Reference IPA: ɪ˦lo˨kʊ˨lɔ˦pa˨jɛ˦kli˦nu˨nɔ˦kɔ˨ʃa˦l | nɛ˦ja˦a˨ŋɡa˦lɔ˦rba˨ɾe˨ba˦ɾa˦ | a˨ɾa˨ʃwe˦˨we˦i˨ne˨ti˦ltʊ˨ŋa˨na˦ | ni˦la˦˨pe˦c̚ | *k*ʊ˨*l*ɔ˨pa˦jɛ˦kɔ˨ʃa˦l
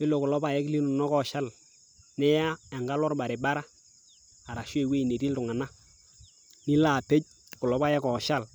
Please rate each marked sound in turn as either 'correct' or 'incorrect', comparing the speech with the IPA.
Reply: correct, correct

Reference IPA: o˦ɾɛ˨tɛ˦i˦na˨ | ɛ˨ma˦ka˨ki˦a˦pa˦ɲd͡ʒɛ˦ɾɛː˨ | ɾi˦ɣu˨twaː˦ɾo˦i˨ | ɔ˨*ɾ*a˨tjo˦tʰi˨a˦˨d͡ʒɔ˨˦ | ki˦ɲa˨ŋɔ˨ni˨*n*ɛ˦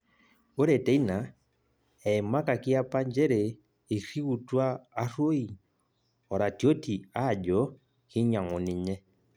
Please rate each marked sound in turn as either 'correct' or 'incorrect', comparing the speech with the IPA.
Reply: correct, incorrect

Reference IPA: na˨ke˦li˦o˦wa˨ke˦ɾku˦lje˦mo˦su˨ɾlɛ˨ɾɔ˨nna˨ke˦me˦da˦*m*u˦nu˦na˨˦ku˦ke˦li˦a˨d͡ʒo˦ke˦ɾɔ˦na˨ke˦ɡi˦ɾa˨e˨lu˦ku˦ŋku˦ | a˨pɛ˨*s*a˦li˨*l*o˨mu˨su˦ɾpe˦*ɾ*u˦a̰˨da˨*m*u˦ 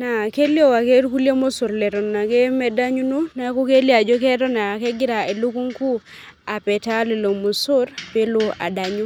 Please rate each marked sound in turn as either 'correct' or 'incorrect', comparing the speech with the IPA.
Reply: incorrect, incorrect, correct, incorrect, incorrect

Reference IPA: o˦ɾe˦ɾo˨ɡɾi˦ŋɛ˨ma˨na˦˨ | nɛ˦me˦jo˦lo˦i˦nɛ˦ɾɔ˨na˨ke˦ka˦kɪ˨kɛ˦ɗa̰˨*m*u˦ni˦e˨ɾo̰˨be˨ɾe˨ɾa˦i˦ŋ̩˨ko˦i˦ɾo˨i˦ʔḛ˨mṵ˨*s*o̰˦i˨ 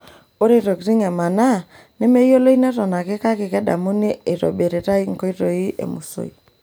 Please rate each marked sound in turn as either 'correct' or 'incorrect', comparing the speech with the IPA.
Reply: correct, correct

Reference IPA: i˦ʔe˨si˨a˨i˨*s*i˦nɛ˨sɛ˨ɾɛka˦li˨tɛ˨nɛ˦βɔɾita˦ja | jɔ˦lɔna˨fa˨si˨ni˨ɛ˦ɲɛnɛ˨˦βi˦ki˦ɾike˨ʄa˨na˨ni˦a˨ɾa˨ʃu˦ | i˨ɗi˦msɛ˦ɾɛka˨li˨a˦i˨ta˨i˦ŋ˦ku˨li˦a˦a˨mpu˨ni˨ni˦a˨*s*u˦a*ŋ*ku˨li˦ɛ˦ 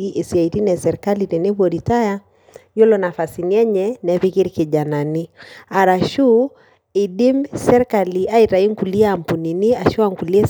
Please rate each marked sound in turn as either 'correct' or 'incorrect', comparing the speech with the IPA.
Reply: incorrect, incorrect, correct

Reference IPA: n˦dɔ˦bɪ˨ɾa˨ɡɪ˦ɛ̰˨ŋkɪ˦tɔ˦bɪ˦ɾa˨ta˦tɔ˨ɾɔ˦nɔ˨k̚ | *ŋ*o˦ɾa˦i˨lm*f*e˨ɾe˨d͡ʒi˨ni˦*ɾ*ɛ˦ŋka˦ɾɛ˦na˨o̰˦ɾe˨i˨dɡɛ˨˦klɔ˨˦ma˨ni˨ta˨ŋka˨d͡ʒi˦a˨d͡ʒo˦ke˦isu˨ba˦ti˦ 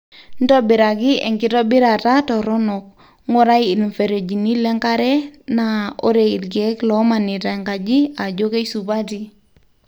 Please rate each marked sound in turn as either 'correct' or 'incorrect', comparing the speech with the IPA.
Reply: correct, correct, incorrect

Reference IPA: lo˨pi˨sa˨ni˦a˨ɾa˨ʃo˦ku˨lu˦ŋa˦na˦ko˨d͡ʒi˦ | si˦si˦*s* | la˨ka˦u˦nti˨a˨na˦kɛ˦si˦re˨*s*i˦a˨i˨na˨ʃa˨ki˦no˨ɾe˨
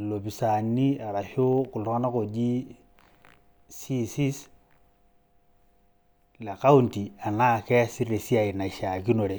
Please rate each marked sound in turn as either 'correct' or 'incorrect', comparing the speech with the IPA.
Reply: correct, correct

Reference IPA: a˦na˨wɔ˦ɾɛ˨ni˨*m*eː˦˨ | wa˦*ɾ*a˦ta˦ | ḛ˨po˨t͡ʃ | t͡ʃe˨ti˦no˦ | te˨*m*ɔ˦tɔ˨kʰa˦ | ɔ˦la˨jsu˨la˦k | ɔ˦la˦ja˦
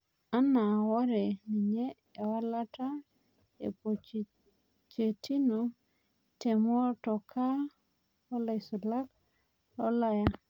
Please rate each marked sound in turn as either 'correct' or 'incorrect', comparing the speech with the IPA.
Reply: incorrect, incorrect, correct

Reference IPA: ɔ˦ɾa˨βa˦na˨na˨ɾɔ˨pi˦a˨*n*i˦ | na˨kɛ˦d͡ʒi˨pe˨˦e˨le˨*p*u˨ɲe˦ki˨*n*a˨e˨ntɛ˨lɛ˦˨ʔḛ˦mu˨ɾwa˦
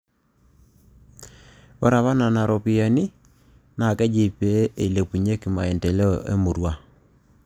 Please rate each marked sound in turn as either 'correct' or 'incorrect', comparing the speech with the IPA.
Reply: correct, correct, incorrect

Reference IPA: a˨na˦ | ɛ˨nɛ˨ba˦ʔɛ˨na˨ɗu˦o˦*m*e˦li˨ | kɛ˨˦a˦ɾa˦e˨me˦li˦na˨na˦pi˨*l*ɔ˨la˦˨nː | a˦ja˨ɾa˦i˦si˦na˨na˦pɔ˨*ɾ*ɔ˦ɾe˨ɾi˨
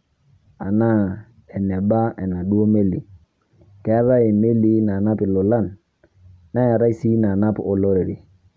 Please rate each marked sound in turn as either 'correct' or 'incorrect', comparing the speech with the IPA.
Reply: correct, correct, incorrect

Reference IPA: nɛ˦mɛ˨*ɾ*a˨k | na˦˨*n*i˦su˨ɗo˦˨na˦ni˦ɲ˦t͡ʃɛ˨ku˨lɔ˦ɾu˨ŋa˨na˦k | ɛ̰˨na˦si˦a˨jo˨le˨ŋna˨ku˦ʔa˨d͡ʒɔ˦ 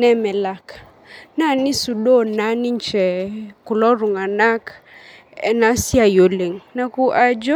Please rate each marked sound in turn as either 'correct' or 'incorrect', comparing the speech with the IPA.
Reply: incorrect, correct

